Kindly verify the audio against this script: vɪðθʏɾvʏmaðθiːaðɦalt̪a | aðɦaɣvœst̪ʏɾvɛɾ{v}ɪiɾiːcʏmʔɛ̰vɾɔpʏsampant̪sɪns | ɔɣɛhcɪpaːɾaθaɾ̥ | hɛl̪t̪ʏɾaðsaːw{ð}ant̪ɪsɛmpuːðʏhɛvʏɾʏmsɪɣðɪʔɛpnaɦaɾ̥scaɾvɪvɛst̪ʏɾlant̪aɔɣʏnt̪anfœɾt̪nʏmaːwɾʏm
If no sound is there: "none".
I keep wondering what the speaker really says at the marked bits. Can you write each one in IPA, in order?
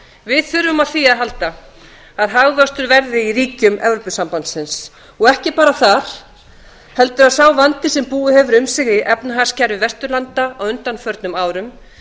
ð, v

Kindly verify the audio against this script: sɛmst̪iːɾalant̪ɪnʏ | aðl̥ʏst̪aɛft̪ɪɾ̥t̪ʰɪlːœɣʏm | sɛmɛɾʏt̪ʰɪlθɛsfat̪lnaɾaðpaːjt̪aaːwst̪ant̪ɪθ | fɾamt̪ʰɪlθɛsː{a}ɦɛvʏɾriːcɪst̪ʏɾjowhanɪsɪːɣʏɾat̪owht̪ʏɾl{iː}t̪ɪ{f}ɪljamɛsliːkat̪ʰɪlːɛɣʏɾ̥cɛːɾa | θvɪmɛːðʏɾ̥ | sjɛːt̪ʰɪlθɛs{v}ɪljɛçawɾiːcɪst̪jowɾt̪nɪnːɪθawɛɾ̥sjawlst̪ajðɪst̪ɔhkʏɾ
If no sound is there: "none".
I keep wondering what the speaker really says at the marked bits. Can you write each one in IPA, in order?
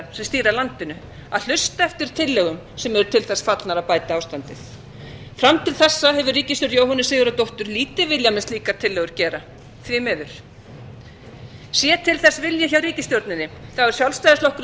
a, iː, v, v

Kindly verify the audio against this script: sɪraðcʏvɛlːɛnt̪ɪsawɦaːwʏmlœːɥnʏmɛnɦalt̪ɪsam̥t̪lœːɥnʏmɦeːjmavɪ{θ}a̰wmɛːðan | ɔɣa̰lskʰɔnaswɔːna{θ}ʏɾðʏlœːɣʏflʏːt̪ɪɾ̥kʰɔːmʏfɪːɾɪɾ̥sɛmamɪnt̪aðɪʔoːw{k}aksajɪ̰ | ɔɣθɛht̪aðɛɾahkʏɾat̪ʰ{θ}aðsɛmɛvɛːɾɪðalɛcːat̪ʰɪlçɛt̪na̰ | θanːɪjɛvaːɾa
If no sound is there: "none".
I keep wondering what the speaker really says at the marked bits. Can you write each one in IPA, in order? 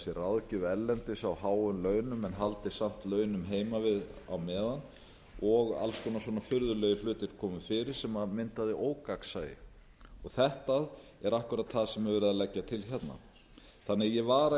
ð, f, k, θ

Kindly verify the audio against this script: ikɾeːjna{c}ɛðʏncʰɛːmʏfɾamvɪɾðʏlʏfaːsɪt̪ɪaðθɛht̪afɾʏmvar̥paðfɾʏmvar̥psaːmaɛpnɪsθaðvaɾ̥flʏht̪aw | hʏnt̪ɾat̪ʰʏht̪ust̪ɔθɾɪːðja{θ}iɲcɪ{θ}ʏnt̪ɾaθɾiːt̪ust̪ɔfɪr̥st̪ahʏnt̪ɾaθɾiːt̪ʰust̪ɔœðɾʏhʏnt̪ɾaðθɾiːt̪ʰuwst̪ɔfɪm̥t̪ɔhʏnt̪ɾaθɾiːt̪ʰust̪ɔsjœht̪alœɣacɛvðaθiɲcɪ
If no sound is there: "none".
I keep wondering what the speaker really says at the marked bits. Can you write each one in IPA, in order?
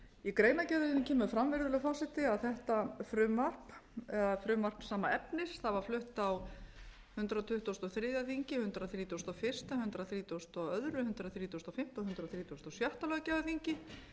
c, θ, h

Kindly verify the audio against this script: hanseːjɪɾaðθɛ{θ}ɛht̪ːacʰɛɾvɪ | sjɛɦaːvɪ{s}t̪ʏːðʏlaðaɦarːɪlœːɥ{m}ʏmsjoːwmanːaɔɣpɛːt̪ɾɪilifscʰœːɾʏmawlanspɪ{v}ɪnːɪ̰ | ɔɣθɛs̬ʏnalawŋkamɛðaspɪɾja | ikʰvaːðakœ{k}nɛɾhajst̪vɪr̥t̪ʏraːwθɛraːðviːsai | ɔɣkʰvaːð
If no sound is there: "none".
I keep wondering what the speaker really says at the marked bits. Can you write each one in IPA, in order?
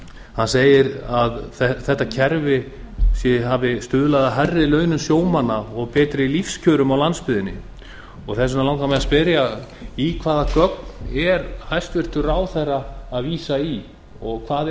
θ, s, n, ð, k

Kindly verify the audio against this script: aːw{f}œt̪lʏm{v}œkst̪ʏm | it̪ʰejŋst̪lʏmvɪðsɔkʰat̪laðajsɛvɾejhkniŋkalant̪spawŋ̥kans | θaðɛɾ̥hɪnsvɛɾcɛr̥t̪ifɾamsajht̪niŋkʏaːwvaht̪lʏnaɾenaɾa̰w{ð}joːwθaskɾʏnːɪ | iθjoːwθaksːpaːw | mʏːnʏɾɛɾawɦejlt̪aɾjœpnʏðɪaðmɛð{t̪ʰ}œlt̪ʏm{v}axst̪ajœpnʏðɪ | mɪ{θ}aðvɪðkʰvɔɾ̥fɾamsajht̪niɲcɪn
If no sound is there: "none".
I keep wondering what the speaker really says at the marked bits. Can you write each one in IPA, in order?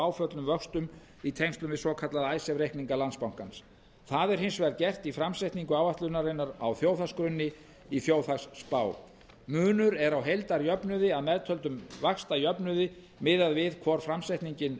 f, v, θ, t̪ʰ, v, ð

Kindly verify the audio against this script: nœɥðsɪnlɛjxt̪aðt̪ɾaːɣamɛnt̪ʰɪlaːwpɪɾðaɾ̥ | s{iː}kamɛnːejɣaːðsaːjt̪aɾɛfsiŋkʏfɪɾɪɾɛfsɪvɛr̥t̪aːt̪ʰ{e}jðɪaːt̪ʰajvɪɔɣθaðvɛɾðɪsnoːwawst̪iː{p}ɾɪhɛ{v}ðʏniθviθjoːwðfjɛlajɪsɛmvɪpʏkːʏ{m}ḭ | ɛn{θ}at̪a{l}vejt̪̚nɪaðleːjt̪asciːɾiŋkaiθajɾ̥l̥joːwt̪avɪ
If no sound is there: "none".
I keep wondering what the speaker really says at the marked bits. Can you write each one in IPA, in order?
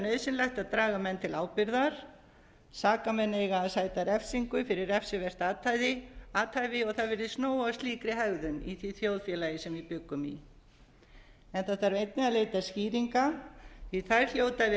aː, a, k, ɣ, m, θ, ɾ

